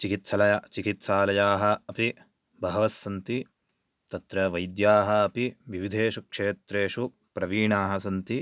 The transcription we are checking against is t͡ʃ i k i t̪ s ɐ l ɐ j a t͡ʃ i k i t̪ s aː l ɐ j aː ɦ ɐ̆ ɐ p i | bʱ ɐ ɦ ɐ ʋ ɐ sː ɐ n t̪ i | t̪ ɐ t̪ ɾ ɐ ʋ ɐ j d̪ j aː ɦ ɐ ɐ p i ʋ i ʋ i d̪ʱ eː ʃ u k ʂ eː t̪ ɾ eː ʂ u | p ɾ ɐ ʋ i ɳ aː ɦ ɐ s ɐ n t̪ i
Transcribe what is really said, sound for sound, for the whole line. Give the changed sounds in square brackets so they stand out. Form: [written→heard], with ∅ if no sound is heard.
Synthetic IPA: t͡ʃ i k i t̪ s ɐ l ɐ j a t͡ʃ i k i t̪ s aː l ɐ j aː ɦ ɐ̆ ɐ p i | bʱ ɐ ɦ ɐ ʋ ɐ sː ɐ n t̪ i | t̪ ɐ t̪ ɾ ɐ ʋ ɐ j d̪ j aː ɦ ɐ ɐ p i ʋ i ʋ i d̪ʱ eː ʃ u k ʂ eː t̪ ɾ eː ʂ u | p ɾ ɐ ʋ [i→iː] ɳ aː ɦ ɐ s ɐ n t̪ i